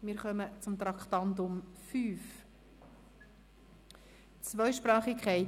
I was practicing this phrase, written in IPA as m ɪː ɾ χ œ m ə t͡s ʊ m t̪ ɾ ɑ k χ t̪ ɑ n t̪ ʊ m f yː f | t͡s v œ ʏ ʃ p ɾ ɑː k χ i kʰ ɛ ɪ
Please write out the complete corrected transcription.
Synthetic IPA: m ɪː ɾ χ œ m ə t͡s ʊ m t̪ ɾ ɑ k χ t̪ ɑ n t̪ ʊ m f yː f | t͡s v œ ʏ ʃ p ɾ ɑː χ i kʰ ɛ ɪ